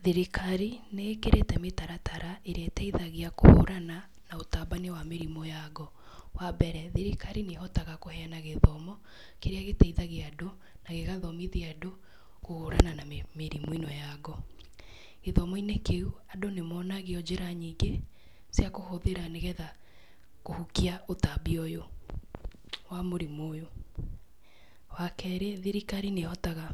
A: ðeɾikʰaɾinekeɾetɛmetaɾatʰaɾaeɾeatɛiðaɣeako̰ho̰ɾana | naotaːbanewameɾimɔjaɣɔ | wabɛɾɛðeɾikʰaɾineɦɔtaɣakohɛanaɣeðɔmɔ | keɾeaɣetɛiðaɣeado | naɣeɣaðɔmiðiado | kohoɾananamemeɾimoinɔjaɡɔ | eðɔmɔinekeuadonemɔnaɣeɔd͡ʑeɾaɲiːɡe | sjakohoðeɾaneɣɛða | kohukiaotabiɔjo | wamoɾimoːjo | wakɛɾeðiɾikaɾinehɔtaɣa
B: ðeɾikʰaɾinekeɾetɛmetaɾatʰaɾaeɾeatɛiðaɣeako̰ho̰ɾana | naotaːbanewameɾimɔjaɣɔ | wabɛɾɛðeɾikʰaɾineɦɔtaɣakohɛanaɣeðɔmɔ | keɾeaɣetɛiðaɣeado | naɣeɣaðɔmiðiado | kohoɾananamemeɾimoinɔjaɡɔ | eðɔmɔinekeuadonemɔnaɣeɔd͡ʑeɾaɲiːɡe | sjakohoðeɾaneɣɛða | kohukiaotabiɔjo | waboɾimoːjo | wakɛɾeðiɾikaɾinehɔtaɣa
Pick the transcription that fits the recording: A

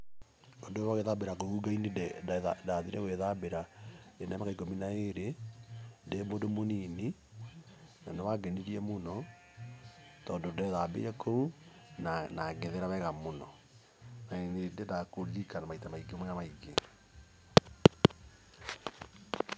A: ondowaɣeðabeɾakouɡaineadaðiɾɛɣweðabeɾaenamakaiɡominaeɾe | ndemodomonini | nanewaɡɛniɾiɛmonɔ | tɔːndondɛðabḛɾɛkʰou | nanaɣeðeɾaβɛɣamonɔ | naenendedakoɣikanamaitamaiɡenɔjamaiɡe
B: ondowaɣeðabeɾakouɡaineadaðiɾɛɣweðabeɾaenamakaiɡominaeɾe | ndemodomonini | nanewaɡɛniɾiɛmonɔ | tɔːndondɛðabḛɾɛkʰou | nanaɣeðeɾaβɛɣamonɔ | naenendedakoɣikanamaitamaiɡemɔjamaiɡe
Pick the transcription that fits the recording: B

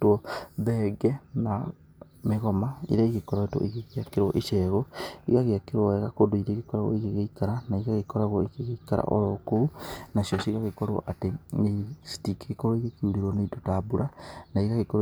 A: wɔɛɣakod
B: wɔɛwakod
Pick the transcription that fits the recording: A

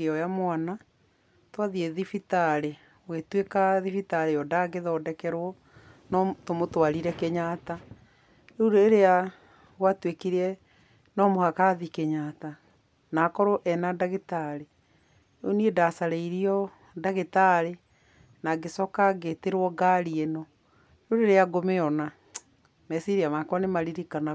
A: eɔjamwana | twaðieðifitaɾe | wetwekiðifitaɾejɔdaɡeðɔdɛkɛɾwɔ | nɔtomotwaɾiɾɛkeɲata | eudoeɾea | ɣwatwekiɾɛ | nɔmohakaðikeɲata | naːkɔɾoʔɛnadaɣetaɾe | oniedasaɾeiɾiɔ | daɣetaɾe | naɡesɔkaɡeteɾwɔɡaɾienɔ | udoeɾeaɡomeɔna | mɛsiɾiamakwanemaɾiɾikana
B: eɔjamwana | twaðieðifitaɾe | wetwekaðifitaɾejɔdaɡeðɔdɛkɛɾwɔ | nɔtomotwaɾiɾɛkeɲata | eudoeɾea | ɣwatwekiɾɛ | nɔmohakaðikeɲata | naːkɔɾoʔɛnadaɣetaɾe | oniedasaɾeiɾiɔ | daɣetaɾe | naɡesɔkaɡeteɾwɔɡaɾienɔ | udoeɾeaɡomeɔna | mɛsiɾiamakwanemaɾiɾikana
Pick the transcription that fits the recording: B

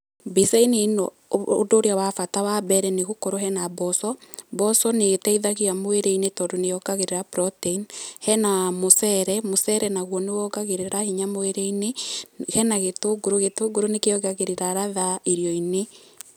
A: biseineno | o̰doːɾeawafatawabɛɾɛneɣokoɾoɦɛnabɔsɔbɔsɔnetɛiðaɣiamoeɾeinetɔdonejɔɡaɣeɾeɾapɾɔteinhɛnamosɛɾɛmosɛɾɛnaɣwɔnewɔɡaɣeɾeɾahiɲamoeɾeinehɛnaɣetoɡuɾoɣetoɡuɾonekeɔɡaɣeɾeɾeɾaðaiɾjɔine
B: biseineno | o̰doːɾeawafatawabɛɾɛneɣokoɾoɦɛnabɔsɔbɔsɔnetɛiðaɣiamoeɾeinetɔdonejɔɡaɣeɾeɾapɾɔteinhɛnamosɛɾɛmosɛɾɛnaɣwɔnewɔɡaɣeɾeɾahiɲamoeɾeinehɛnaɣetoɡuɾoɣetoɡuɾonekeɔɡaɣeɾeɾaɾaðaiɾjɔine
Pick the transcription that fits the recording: B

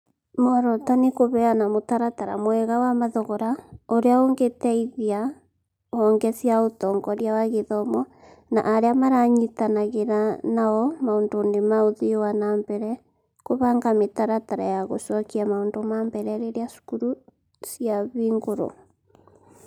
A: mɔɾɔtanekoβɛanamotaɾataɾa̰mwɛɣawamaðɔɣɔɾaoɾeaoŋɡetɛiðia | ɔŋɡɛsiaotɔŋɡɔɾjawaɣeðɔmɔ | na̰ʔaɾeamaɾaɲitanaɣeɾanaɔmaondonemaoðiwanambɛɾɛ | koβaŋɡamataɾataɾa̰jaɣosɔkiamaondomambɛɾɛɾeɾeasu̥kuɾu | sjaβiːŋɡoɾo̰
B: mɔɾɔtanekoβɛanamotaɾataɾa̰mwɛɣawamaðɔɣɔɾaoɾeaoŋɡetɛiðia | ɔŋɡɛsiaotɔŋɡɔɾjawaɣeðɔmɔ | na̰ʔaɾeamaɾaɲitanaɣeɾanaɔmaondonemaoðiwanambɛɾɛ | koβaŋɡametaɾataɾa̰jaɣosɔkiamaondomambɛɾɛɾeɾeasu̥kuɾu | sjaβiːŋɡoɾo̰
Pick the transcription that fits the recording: B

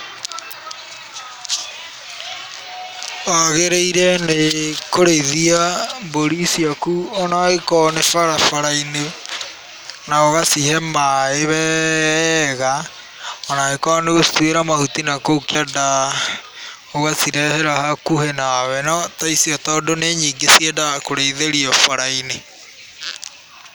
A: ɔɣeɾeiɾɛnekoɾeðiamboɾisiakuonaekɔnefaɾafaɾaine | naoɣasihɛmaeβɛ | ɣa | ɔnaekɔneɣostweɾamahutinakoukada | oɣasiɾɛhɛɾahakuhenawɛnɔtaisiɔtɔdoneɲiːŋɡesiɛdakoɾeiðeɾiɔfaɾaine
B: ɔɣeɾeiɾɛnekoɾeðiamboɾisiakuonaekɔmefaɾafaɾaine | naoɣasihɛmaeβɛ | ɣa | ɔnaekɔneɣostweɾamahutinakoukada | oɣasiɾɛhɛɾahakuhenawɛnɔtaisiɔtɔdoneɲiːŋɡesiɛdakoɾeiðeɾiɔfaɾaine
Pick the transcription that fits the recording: A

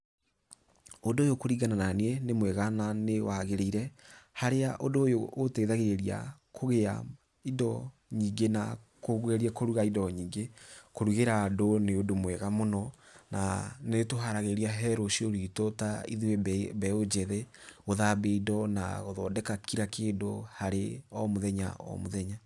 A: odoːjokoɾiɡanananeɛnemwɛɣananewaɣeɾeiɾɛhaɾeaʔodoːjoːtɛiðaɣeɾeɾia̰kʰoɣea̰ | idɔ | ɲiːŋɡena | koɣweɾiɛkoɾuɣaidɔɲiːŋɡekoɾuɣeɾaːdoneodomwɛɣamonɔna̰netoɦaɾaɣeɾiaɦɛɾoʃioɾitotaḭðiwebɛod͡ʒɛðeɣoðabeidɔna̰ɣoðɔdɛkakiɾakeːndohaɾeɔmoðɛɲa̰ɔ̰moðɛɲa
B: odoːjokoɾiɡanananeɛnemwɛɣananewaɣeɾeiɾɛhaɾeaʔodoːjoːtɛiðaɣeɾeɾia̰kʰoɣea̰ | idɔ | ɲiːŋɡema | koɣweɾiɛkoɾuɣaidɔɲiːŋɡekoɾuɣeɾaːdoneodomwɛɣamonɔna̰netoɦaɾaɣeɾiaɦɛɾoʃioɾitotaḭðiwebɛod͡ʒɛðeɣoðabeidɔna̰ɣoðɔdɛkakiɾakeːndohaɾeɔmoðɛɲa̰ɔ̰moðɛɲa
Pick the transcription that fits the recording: A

